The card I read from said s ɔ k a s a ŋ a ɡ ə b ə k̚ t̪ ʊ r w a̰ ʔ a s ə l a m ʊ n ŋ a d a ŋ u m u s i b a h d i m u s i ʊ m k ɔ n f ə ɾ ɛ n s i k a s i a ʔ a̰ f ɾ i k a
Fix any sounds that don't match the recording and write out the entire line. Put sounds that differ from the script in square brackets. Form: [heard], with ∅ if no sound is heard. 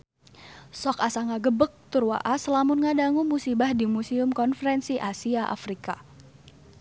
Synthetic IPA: s ɔ k a s a ŋ a ɡ ə b ə k̚ t̪ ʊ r w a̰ ʔ a s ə l a m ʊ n ŋ a d a ŋ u m u s i b a h d i m u s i ʊ m k ɔ n f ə ɾ ɛ n s i [ʔ] a s i a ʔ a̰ f ɾ i k a